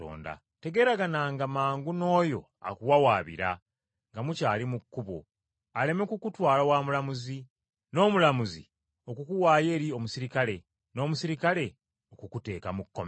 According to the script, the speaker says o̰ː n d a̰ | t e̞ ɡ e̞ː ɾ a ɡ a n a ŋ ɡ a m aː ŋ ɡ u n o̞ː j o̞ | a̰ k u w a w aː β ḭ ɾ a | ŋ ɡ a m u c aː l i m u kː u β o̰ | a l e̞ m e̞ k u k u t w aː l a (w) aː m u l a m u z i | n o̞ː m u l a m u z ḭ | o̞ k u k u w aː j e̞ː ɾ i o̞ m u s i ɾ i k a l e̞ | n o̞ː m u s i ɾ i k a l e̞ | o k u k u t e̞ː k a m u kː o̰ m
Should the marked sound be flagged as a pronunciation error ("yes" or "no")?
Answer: no